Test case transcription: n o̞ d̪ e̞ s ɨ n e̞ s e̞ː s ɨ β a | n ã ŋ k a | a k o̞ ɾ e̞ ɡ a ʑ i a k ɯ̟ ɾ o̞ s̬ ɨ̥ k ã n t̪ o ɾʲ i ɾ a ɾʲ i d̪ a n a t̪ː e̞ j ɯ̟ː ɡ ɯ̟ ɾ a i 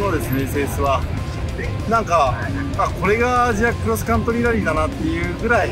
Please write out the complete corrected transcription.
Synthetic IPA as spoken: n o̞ d̪ e̞ s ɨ n e̞ s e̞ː s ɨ β a | n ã ŋ k a | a k o̞ ɾ e̞ ɡ a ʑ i a k ɯ̟ ɾ o̞ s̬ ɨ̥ k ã n t̪ o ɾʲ i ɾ a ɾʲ i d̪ a n a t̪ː e̞ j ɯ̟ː ɡ ɯ̟ ɾ a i